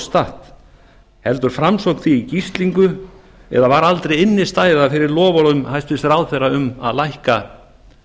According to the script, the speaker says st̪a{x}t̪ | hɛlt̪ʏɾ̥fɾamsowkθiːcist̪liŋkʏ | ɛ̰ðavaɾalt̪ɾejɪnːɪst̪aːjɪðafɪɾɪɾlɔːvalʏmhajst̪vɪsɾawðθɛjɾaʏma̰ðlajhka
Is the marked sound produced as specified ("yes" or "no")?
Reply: no